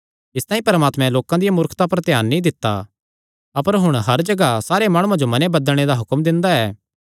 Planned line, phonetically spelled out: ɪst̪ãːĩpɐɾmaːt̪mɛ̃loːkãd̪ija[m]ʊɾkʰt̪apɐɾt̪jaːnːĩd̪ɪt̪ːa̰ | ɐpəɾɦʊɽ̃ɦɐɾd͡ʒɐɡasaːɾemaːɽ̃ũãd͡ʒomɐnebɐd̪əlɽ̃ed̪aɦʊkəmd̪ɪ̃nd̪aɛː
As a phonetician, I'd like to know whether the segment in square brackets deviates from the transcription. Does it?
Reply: no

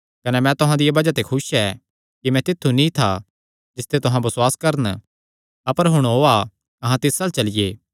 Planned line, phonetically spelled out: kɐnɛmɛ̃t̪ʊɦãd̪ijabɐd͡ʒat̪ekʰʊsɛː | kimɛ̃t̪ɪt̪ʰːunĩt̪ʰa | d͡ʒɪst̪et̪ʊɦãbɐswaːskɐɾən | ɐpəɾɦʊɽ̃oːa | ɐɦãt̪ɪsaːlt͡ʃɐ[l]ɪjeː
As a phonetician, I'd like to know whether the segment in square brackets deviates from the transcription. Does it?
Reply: no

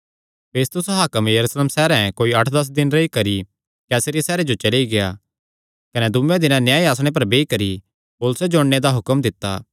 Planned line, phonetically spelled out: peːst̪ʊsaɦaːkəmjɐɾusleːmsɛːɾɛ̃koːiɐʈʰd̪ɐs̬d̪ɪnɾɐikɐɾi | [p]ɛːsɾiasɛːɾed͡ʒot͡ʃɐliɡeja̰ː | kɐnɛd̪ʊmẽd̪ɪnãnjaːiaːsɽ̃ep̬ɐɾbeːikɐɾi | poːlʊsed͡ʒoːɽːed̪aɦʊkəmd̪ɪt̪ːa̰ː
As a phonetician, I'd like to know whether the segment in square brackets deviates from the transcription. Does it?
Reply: yes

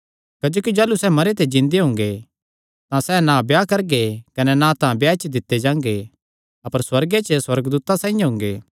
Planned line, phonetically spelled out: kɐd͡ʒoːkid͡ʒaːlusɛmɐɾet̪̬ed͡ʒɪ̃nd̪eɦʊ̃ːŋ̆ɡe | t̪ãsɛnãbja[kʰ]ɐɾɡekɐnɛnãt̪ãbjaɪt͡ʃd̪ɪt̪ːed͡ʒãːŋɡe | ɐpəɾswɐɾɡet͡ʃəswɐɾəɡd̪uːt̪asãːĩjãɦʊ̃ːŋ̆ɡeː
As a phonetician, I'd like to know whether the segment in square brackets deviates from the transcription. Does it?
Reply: yes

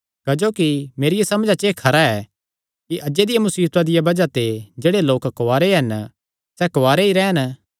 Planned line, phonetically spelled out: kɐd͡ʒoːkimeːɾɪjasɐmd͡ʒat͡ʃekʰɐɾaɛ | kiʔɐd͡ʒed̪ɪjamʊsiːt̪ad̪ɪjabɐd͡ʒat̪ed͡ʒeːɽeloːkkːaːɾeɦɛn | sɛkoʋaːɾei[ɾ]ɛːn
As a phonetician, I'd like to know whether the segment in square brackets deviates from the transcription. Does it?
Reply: no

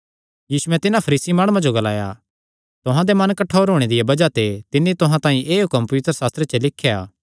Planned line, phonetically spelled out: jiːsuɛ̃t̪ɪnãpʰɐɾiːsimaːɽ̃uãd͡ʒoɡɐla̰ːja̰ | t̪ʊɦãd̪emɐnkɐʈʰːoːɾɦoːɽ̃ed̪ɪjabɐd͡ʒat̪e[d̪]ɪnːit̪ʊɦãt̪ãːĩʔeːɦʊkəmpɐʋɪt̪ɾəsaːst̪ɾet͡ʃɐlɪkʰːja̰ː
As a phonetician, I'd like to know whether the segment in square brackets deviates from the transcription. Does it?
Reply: yes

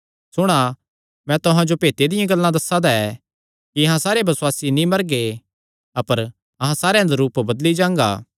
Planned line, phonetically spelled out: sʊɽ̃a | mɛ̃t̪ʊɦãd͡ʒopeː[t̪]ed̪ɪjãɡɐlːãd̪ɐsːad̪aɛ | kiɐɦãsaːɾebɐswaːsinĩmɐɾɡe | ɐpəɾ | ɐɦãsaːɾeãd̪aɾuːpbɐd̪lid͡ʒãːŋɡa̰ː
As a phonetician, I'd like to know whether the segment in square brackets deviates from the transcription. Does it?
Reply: no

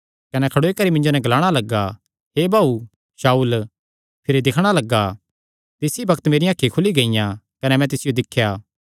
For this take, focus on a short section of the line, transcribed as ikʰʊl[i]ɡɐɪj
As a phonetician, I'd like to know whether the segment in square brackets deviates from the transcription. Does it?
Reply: no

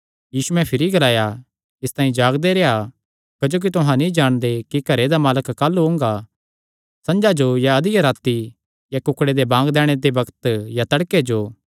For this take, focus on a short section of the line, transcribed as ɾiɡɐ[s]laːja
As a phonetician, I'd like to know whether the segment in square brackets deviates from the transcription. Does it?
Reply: yes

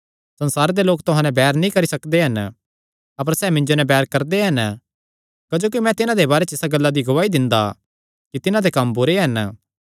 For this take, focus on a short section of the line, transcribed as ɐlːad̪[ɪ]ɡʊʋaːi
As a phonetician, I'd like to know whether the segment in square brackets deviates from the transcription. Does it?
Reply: yes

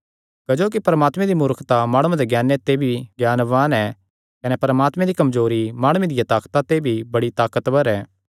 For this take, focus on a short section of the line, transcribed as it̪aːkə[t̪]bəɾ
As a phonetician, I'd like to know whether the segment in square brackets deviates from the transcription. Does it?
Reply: no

